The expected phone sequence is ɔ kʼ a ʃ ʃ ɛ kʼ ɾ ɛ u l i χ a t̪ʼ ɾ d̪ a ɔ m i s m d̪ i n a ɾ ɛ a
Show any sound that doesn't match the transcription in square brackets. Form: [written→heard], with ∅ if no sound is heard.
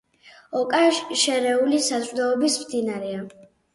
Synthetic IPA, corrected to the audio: ɔ kʼ a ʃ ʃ ɛ [kʼ→∅] ɾ ɛ u l i [χ→s] a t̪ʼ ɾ d̪ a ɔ [m→b] i s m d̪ i n a ɾ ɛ a